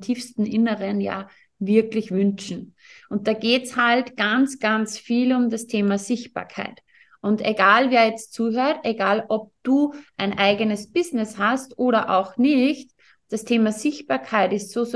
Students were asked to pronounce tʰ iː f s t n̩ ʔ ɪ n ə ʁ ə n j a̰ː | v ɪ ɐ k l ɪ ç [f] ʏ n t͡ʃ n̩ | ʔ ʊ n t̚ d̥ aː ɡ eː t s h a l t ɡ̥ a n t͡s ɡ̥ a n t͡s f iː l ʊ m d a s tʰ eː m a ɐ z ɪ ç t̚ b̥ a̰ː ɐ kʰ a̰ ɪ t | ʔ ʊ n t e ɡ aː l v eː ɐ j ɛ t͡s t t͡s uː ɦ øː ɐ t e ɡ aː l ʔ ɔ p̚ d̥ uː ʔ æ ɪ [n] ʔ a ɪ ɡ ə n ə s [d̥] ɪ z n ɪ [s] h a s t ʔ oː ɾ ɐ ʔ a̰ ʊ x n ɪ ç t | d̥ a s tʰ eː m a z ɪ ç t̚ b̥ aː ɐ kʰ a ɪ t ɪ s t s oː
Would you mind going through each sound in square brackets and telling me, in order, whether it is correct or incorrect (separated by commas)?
incorrect, correct, incorrect, correct